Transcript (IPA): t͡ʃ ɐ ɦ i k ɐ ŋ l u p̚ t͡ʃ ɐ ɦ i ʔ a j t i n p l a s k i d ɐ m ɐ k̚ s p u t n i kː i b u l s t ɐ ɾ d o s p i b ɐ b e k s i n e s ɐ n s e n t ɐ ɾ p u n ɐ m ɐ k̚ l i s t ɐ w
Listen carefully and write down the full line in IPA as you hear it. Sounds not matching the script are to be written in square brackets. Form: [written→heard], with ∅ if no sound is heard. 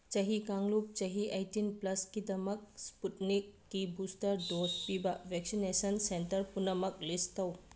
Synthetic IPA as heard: t͡ʃ ɐ ɦ i k [ɐ→a] ŋ l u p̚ t͡ʃ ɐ ɦ i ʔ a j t i n p l [a→ɐ] s k i d ɐ m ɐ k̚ s p u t n i kː i b u [l→∅] s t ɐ ɾ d o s p i b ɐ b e k s i n e s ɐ n s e n t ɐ ɾ p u n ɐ m ɐ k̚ l i s t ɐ w